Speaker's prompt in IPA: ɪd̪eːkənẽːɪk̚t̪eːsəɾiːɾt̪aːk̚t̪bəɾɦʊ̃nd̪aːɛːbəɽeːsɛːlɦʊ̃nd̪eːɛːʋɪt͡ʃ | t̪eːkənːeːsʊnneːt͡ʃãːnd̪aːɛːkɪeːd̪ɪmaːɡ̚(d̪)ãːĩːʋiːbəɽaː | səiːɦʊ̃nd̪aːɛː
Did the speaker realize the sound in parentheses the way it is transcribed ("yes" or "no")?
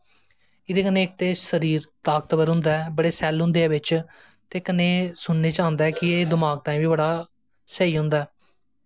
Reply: no